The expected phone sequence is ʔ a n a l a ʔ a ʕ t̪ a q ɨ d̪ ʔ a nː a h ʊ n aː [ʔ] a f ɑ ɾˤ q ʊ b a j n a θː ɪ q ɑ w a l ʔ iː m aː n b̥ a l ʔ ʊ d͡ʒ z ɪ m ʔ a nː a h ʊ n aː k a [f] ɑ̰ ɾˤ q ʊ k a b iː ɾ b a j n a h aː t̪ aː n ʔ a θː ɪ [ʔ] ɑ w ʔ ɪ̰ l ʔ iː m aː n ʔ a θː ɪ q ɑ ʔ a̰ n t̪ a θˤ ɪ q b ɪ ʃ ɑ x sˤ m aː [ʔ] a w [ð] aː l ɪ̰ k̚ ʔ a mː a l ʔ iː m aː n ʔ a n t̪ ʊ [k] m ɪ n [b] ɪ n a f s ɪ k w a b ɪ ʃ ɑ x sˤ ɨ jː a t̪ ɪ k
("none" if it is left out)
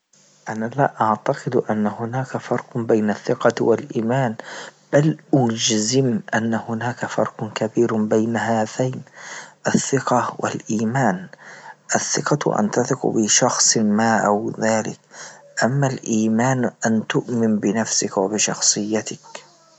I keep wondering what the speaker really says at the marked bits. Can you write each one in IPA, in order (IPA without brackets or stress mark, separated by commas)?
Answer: k, f, q, ʔ, ð, ʔ, b